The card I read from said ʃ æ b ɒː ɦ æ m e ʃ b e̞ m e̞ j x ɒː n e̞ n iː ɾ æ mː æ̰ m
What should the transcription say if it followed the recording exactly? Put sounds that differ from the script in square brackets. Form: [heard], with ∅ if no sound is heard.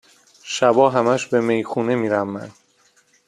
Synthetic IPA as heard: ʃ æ b ɒː ɦ æ m [æ] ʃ b e̞ m e̞ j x [uː] n e̞ [m] iː ɾ æ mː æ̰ [n]